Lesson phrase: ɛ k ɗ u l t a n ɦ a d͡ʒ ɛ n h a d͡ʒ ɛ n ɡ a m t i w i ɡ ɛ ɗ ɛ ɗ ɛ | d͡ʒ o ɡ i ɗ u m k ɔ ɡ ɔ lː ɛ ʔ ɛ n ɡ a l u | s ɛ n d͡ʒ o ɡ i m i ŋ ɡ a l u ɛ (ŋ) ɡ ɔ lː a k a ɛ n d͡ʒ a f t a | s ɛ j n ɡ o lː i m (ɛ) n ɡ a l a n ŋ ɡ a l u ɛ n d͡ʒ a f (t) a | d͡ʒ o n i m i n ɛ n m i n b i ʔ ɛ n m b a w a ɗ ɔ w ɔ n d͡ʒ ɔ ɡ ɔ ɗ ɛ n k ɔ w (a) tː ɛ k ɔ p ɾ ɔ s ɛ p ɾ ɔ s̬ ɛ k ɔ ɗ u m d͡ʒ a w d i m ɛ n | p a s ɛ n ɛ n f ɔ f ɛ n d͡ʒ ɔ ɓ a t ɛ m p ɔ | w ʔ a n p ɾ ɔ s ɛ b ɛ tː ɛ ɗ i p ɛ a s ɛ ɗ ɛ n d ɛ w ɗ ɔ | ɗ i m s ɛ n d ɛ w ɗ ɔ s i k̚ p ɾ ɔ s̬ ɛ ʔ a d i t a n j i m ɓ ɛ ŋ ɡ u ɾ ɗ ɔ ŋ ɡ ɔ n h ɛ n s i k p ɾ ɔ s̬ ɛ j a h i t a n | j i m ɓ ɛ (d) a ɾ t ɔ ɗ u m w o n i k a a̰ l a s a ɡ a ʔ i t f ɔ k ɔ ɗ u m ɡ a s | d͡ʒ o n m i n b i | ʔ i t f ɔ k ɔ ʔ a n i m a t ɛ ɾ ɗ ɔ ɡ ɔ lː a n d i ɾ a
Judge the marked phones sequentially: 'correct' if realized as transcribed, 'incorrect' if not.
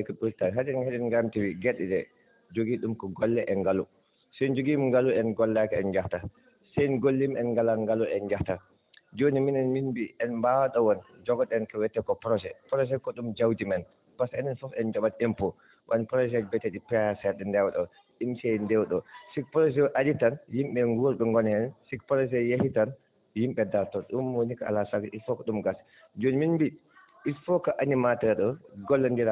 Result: incorrect, correct, correct, incorrect, correct

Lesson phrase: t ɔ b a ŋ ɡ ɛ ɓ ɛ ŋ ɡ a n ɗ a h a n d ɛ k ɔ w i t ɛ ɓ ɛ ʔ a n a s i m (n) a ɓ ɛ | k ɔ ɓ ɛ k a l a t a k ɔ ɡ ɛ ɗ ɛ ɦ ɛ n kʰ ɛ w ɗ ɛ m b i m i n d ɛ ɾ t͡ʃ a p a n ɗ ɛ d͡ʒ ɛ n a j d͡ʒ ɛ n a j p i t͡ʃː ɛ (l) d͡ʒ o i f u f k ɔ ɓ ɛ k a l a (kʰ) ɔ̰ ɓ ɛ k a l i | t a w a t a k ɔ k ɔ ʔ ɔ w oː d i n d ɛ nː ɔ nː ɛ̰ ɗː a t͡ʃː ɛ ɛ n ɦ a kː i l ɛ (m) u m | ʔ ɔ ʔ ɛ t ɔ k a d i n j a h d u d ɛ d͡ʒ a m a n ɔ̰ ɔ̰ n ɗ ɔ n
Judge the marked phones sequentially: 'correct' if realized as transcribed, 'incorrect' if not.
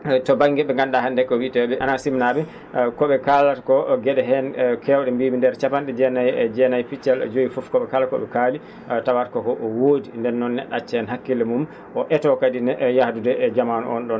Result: correct, correct, incorrect, correct

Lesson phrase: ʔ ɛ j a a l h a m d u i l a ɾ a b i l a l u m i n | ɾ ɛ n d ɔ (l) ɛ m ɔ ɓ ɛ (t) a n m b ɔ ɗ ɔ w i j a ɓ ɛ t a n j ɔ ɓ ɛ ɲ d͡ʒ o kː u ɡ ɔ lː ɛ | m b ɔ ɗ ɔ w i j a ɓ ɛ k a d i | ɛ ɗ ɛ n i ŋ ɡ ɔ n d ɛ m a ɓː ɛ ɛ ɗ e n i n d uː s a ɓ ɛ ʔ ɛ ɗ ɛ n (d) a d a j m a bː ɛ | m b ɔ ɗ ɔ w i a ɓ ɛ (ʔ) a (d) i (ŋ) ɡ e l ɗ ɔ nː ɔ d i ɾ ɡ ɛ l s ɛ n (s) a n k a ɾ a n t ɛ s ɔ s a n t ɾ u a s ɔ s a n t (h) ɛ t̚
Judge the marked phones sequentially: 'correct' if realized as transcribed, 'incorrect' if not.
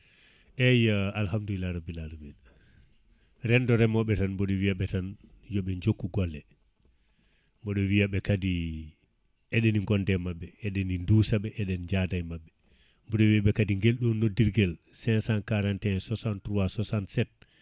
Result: incorrect, correct, incorrect, incorrect, correct, correct, correct, incorrect

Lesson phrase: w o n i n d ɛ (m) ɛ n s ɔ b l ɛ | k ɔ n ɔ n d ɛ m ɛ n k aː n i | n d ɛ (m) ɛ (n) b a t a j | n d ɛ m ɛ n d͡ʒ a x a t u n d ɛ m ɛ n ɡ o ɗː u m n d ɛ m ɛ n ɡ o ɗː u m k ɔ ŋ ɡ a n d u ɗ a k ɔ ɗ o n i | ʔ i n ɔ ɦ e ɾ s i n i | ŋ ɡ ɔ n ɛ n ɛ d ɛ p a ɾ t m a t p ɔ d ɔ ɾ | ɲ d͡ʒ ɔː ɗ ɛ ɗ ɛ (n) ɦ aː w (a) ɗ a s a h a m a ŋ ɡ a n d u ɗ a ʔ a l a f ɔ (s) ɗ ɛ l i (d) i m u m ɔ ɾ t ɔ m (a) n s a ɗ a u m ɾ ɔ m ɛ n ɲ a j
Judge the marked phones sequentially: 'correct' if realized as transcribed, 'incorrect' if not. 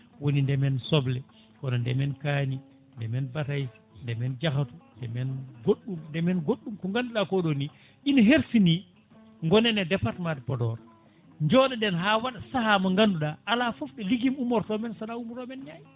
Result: correct, correct, correct, correct, correct, incorrect, incorrect, incorrect

